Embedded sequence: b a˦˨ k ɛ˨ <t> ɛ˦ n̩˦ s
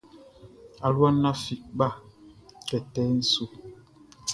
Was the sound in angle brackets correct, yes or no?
yes